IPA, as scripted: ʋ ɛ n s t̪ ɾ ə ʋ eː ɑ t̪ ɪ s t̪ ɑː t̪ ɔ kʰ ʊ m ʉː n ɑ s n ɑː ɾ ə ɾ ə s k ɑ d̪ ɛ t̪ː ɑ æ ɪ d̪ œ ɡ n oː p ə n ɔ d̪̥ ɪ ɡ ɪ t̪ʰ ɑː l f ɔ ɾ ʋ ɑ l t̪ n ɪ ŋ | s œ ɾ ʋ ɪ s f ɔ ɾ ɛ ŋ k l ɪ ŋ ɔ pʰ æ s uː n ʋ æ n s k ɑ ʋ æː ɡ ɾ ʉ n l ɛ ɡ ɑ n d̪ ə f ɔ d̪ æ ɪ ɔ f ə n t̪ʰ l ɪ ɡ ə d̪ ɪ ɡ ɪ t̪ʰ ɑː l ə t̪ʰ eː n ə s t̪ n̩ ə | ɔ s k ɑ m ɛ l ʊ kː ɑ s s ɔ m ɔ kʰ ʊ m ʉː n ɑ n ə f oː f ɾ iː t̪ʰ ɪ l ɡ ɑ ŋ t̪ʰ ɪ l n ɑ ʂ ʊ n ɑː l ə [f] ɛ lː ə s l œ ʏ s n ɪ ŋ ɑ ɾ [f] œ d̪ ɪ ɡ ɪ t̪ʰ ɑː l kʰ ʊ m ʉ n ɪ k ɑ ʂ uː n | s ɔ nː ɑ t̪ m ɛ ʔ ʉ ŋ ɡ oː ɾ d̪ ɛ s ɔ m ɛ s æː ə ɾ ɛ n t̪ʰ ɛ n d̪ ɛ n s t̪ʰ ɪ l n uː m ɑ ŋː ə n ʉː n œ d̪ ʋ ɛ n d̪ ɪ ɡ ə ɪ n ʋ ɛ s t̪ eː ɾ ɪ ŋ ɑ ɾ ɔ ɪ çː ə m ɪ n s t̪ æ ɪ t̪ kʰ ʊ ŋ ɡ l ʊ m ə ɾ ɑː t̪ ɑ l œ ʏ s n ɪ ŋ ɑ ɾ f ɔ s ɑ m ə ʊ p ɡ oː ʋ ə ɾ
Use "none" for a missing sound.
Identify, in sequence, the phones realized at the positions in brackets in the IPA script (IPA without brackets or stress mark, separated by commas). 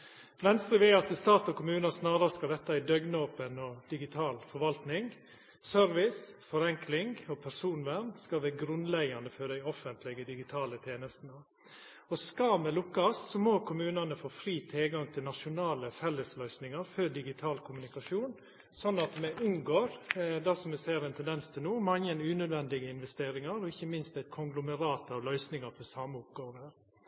f, f